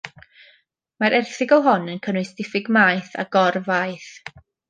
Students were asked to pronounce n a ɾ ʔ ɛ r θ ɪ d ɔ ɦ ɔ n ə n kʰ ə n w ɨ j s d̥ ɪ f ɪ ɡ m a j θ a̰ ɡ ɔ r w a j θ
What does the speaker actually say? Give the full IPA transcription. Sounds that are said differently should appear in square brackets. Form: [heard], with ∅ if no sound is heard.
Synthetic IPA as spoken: [m] a ɾ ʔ ɛ r θ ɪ [ɡ] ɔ ɦ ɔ n ə n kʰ ə n w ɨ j s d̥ ɪ f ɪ ɡ m a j θ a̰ ɡ ɔ r [v] a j θ